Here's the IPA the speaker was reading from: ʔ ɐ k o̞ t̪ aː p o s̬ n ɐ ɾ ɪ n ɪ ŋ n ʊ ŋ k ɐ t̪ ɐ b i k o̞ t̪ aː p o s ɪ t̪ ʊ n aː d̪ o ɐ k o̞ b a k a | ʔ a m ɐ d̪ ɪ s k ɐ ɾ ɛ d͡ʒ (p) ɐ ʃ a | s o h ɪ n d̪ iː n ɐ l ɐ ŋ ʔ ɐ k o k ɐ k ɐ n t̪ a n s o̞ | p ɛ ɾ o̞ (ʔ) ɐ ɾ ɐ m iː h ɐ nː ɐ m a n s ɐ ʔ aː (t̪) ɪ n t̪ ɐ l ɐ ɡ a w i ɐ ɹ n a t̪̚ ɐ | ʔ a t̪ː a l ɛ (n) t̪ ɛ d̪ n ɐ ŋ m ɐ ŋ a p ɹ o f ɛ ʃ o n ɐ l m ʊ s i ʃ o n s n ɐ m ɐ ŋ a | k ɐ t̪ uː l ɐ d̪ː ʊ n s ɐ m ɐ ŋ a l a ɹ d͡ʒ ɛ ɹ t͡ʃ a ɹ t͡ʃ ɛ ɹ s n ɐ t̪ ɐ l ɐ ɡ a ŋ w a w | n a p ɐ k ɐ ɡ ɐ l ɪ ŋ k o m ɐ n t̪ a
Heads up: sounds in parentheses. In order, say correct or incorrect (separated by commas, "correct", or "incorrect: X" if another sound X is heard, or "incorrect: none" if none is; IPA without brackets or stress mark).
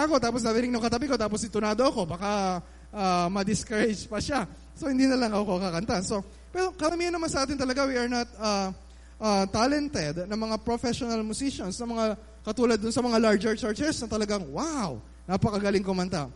correct, incorrect: k, correct, correct